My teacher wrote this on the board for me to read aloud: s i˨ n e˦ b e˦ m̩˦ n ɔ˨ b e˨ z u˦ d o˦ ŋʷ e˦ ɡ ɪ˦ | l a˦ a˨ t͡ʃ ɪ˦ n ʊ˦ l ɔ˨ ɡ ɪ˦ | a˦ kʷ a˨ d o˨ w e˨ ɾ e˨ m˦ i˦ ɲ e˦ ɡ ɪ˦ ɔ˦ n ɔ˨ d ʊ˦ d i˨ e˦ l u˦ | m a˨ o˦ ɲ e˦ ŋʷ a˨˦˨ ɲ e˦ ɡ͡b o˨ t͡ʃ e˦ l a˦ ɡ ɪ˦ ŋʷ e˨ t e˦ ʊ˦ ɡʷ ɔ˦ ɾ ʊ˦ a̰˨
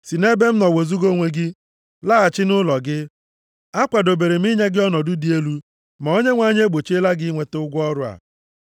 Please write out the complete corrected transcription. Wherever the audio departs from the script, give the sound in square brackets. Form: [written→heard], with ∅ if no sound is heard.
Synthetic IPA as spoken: s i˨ n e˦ b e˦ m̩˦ n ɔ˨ [b→w] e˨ z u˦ [d→ɡ] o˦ ŋʷ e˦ ɡ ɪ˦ | l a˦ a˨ t͡ʃ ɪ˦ n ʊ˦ l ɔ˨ ɡ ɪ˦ | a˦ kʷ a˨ d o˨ [w→b] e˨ ɾ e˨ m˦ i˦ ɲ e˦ ɡ ɪ˦ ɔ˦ n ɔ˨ d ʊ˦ d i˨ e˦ l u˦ | m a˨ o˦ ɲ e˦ ŋʷ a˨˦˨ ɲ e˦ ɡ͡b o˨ t͡ʃ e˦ l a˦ ɡ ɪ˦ ŋʷ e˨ t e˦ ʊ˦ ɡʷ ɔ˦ ɾ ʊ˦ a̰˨